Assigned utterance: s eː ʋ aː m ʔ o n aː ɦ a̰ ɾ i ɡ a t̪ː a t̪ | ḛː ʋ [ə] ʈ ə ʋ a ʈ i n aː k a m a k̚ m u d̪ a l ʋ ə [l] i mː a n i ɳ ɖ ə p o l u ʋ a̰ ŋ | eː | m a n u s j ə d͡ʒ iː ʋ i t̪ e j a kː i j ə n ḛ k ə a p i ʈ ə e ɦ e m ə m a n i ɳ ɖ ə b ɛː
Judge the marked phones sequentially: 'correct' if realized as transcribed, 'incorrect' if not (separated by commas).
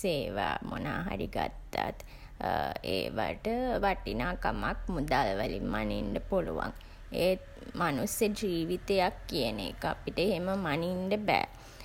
incorrect, correct